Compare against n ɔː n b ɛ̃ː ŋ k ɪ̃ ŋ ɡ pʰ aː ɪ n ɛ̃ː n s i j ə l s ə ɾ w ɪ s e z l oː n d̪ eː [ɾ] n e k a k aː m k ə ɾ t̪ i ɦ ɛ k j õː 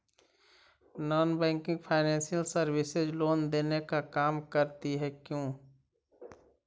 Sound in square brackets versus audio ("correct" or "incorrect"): incorrect